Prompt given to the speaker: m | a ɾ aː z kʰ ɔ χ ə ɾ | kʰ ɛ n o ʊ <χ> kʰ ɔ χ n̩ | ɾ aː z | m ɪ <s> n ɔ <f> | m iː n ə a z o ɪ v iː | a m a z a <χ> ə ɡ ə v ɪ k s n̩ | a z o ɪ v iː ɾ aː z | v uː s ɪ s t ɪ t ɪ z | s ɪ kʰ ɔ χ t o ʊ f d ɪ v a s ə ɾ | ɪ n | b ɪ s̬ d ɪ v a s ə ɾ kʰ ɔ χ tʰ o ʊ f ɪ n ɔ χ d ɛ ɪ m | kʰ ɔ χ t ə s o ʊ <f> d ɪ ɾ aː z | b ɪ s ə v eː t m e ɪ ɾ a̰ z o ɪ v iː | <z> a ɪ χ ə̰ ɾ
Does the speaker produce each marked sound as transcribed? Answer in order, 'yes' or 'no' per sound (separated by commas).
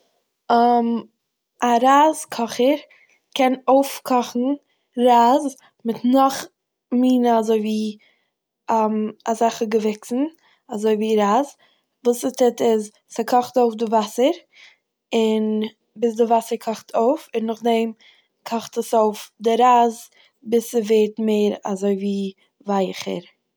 no, no, no, yes, yes, no